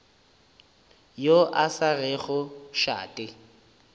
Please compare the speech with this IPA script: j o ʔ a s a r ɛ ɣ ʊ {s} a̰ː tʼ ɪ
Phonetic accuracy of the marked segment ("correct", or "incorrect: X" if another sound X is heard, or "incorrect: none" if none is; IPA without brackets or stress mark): incorrect: ʃ